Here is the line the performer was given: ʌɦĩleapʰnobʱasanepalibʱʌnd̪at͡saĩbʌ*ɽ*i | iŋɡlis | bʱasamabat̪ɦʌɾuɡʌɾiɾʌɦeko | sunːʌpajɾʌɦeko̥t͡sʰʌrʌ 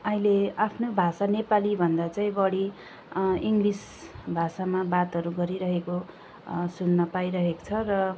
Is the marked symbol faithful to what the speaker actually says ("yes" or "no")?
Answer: yes